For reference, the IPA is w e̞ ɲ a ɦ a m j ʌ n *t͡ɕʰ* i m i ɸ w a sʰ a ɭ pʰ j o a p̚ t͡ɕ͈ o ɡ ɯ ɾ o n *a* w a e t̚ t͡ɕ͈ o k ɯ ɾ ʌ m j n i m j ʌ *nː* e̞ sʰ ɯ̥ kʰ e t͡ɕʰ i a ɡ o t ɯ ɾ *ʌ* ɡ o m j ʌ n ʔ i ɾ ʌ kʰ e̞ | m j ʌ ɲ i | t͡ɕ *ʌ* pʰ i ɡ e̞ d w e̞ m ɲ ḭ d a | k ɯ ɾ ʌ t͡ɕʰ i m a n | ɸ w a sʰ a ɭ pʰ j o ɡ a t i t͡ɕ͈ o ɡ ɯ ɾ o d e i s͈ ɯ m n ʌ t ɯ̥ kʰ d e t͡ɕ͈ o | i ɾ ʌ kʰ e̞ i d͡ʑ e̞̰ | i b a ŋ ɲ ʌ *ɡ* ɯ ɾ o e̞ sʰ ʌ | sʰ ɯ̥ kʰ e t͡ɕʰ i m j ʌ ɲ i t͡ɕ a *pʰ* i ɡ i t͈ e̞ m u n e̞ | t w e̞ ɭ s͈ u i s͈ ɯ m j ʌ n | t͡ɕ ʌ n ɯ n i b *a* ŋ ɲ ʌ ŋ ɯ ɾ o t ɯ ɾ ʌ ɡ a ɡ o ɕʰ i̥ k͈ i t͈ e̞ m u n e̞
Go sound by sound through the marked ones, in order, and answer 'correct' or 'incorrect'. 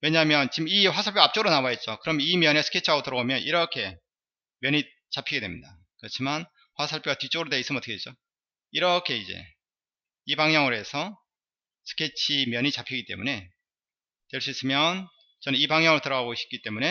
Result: incorrect, correct, incorrect, correct, incorrect, incorrect, correct, correct

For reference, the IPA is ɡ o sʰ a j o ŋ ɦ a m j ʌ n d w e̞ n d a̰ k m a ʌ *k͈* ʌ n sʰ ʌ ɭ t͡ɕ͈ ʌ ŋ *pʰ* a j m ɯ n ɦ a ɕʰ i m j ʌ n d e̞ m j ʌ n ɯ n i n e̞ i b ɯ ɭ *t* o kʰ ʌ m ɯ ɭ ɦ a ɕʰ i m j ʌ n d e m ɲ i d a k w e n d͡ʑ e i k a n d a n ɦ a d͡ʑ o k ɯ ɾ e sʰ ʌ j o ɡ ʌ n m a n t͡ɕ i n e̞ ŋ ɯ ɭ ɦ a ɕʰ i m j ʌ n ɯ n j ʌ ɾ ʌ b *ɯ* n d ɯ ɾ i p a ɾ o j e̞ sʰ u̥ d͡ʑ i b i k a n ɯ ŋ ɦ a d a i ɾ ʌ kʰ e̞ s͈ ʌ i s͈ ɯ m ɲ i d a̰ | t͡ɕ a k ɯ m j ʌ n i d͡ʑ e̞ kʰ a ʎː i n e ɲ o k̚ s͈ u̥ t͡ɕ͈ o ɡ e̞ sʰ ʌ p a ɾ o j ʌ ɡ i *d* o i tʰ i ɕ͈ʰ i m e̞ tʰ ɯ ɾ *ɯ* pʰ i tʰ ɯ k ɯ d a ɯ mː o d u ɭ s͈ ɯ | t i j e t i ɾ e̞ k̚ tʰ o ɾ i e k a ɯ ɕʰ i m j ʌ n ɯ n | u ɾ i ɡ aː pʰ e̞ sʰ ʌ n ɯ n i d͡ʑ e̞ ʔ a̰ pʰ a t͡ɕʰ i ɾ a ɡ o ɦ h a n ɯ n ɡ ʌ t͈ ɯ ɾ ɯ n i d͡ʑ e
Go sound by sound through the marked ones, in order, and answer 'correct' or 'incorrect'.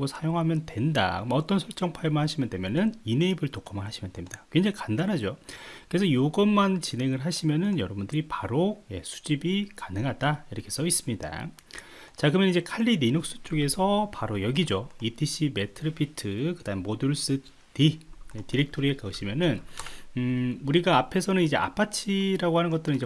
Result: incorrect, correct, correct, incorrect, incorrect, correct

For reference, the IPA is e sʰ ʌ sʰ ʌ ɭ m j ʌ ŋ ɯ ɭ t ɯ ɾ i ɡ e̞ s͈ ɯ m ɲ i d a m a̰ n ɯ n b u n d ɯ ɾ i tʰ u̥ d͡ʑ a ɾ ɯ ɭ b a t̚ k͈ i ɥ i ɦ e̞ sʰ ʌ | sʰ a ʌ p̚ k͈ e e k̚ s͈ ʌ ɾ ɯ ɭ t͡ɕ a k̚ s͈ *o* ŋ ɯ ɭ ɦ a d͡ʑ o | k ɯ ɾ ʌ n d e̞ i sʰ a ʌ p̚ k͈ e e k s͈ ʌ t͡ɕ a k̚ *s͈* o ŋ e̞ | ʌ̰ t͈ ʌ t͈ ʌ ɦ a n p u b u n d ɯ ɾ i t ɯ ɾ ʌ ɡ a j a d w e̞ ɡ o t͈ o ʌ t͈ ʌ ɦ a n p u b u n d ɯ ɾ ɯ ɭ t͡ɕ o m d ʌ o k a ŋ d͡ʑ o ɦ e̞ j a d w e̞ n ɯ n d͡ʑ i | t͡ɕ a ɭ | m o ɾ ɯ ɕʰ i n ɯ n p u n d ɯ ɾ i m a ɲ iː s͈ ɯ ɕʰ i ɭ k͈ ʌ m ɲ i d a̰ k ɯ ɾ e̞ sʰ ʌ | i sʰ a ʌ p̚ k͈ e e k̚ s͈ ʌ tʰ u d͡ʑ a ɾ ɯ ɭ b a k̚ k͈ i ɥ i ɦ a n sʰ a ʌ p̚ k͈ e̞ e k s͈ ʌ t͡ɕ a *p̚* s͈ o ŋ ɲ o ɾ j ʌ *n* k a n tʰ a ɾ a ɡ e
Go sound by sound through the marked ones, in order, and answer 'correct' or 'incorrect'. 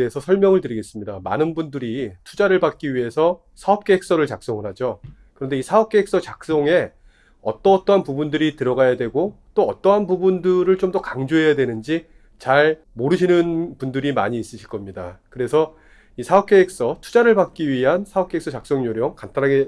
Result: correct, correct, incorrect, incorrect

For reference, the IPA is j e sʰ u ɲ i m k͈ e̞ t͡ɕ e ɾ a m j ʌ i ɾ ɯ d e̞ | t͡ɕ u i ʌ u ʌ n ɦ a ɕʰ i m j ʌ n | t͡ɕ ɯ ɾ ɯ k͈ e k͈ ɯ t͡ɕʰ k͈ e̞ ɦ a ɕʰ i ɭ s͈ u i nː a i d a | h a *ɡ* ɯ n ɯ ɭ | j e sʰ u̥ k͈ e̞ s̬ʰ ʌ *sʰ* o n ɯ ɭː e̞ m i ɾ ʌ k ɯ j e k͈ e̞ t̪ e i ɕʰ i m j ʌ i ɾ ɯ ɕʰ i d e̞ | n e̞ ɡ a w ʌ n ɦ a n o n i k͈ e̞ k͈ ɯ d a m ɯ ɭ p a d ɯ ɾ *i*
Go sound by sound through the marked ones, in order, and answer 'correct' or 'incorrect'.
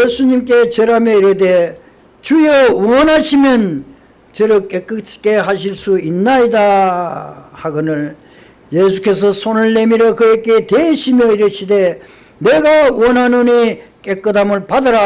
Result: correct, correct, incorrect

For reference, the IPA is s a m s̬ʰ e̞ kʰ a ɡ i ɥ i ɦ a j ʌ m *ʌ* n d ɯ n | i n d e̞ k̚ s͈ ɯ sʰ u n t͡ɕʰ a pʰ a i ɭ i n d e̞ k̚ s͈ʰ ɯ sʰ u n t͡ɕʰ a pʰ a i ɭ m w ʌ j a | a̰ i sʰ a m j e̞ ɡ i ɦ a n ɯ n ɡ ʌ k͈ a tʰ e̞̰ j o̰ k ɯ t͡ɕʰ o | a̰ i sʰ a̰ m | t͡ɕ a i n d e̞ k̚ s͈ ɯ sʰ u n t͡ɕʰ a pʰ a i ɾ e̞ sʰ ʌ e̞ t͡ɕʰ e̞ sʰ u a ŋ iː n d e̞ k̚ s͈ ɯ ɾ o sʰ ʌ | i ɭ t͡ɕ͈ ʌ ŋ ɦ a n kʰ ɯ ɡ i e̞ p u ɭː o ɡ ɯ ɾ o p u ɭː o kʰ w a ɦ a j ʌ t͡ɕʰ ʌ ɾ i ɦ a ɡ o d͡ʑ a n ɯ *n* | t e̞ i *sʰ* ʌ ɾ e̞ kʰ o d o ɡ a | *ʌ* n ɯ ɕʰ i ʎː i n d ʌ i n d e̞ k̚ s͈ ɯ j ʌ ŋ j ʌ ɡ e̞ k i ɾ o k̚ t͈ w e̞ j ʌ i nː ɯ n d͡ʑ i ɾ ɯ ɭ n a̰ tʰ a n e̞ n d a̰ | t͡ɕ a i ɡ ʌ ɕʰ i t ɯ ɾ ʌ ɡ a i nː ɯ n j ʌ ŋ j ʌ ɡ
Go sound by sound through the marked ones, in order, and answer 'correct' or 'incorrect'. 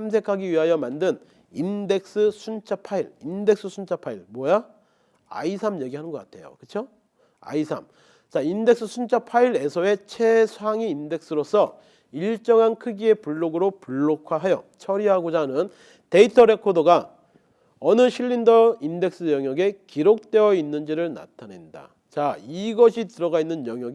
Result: incorrect, correct, incorrect, correct

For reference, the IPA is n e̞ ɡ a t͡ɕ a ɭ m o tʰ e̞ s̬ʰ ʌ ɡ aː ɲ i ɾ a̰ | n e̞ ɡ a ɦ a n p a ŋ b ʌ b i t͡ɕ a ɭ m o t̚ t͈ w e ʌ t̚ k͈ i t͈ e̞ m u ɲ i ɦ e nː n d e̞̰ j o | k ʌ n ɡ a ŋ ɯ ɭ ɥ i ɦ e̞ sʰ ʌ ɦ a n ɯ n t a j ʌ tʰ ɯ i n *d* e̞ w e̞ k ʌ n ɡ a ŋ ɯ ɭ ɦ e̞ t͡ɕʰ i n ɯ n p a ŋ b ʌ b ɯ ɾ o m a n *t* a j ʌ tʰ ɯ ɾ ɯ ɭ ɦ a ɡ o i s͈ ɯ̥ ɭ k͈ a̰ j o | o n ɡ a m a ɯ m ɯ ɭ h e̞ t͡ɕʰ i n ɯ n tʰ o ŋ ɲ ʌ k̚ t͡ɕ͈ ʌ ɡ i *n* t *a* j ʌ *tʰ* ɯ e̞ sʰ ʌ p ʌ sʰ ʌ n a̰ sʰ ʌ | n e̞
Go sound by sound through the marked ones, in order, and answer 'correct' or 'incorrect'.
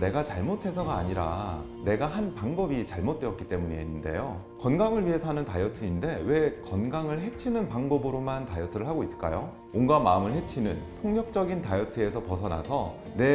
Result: correct, correct, correct, correct, correct

